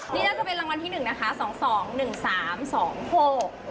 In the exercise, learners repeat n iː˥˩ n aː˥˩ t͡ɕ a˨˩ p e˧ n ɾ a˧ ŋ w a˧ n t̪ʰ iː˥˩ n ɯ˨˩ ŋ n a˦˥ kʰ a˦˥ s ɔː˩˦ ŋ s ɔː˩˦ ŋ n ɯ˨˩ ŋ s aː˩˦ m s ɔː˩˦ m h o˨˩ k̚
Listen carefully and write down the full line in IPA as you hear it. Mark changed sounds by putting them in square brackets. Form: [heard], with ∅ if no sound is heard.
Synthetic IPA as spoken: n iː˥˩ n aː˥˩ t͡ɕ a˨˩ p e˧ n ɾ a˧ ŋ w a˧ n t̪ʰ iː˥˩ n ɯ˨˩ ŋ n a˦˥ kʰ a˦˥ s ɔː˩˦ ŋ s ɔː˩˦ ŋ n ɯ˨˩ ŋ s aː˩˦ m s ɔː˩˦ [ŋ] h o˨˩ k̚